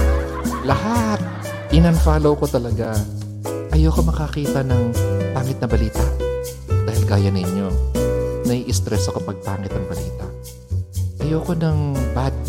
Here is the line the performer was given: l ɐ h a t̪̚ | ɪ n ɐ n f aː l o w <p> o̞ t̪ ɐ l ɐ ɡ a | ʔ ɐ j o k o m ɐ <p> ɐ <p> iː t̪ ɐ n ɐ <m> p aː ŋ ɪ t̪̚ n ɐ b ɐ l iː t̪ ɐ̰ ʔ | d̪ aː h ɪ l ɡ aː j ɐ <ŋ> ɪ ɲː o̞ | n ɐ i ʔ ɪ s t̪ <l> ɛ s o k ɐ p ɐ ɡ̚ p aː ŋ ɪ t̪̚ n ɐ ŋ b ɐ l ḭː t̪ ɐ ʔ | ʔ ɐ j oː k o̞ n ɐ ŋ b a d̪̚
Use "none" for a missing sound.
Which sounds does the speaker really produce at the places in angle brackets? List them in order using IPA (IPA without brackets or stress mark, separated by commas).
k, k, k, ŋ, n, ɾ